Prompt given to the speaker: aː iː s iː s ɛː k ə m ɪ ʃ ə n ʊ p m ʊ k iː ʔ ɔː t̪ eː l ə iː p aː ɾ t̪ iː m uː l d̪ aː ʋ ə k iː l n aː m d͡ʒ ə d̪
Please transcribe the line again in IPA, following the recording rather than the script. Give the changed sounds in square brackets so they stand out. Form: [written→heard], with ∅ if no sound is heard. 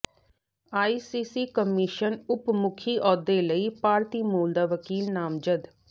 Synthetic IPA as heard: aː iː s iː s [ɛː→iː] k ə m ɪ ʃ ə n ʊ p m ʊ [k→kʰ] iː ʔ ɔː [t̪→d̪] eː l ə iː p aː ɾ t̪ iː m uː l d̪ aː ʋ ə k iː l n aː m d͡ʒ ə d̪